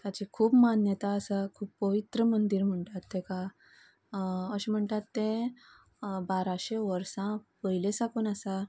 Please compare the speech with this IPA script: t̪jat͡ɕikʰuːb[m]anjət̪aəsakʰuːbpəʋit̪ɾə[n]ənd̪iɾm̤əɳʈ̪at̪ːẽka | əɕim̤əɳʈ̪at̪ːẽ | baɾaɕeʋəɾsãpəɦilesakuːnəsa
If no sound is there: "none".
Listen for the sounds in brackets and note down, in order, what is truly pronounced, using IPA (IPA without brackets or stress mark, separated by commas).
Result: m, m